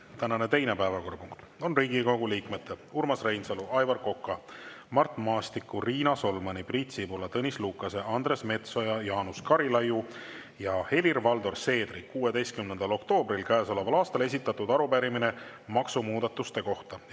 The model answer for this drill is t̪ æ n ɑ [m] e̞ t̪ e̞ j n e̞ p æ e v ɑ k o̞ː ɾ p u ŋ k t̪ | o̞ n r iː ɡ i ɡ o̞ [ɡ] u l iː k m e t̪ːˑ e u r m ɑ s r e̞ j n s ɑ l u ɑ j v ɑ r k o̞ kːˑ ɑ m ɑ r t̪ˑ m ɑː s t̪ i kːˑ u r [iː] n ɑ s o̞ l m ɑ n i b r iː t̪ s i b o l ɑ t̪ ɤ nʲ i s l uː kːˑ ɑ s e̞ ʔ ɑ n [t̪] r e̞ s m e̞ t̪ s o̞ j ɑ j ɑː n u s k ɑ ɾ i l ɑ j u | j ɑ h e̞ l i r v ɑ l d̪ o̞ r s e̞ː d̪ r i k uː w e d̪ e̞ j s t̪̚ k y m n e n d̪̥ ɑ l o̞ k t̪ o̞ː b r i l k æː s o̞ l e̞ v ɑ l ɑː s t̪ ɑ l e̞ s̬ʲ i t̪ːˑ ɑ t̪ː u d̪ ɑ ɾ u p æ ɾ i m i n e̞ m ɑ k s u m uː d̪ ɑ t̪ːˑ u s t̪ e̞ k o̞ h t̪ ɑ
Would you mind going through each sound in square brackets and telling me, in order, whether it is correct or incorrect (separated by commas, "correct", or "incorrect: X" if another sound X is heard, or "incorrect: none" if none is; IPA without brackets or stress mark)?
incorrect: n, correct, correct, incorrect: d̪